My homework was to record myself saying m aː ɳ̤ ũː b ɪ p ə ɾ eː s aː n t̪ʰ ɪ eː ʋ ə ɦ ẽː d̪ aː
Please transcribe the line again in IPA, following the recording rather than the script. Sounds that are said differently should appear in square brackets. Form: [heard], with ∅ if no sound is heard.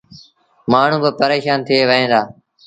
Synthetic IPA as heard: m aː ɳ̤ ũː b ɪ p ə ɾ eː [ʃ] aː n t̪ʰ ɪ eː ʋ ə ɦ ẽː d̪ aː